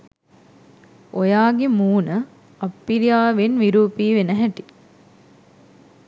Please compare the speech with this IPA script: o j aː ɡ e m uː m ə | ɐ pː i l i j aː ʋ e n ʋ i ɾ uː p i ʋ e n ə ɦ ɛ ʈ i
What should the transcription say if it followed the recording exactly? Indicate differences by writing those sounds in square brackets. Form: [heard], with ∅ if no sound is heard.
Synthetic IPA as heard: o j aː ɡ e m uː [n] ə | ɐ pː i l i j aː ʋ e n ʋ i ɾ uː p [iː] ʋ e n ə ɦ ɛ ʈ i